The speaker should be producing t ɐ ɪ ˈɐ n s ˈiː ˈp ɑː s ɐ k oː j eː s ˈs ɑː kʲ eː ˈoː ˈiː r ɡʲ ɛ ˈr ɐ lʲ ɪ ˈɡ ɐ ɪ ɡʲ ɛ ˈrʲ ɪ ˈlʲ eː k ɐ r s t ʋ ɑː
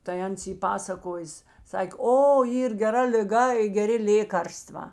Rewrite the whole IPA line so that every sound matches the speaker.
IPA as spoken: t ɐ ɪ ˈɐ n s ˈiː ˈp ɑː s ɐ k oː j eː s ˈs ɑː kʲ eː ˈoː ˈiː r ɡʲ ɛ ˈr ɐ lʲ ɪ ˈɡ ɐ ɪ ɡʲ ɛ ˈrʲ ɪ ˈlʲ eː k ɐ r s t ʋ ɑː